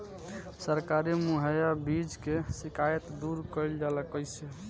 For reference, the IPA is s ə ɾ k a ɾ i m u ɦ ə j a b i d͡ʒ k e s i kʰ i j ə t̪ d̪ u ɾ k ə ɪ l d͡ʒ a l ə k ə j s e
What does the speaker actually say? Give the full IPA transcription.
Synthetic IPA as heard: s ə ɾ k a ɾ i m u ɦ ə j a b i d͡ʒ k e s i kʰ a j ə t̪ d̪ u ɾ k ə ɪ l d͡ʒ a l ə k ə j s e